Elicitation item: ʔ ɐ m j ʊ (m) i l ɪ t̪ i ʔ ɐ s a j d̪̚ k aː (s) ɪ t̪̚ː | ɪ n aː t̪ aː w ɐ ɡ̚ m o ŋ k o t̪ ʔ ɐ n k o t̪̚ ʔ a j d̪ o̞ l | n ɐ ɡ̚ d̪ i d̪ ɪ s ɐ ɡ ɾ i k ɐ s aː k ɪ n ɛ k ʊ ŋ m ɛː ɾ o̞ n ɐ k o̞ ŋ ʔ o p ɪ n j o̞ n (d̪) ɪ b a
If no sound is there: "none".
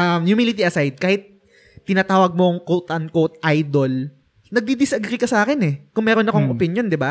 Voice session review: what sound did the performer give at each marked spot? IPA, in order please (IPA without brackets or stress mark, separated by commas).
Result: m, h, d̪